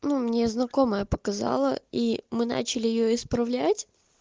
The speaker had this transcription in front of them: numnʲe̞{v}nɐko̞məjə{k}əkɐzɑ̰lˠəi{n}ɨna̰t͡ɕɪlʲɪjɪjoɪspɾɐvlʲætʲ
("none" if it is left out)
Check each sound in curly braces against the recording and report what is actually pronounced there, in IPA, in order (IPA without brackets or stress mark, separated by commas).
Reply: z, p, m